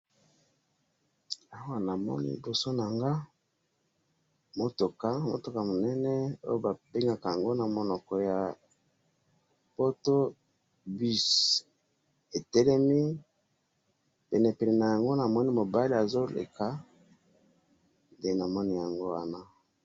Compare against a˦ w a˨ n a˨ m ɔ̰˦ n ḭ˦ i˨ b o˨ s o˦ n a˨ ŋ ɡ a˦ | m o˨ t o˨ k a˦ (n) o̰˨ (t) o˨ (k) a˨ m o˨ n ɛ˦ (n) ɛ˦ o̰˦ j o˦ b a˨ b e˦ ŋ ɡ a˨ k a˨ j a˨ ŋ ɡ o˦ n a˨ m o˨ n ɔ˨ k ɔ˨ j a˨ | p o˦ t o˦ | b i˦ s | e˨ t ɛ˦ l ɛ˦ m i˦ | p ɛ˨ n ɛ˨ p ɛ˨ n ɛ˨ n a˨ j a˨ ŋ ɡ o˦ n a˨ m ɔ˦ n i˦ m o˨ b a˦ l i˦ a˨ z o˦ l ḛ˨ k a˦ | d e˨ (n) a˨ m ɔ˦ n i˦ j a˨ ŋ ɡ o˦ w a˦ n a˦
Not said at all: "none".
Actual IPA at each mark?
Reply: m, t, k, n, n

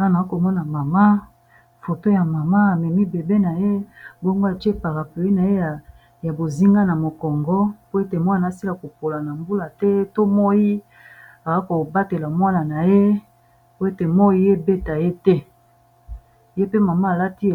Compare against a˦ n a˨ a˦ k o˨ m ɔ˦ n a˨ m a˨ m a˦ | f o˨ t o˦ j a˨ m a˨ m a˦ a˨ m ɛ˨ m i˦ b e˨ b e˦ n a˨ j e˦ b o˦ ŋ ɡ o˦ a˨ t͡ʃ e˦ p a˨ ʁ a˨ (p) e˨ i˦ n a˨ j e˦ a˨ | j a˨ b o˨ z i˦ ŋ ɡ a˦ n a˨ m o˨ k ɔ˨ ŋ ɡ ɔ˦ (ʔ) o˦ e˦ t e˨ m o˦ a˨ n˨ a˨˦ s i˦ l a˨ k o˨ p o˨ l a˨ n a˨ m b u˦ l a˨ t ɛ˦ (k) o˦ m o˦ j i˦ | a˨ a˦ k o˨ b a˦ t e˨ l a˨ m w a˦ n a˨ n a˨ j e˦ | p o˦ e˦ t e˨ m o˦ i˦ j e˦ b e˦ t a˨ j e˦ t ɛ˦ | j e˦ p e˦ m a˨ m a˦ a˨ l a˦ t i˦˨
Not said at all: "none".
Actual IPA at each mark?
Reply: p, p, t

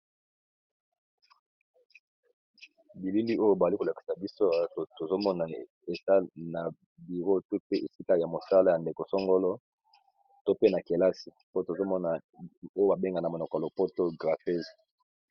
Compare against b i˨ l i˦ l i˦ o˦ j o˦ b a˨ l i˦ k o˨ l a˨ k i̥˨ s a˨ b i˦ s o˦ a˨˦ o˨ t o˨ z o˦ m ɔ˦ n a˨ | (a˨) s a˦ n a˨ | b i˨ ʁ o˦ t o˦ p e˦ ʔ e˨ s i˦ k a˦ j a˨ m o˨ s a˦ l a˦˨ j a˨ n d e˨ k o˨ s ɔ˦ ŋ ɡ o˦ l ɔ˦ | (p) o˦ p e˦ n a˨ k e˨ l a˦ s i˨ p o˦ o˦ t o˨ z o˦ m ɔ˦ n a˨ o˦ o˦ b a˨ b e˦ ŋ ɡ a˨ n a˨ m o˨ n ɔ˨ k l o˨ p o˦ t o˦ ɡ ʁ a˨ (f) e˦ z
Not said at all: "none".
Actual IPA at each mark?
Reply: e˨, t, f

